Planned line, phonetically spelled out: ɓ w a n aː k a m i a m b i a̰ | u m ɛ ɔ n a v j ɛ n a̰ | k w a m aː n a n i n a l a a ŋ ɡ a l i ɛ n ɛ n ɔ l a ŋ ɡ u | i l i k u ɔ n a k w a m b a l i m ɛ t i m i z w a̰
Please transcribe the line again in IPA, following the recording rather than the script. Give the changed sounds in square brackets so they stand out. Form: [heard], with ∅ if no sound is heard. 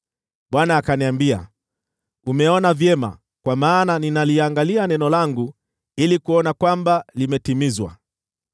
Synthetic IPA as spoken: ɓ w a n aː k a [n] i a m b i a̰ | u m ɛ ɔ n a v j ɛ [m] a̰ | k w a m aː n a n i n a l [i] a ŋ ɡ a l i [a] n ɛ n ɔ l a ŋ ɡ u | i l i k u ɔ n a k w a m b a l i m ɛ t i m i z w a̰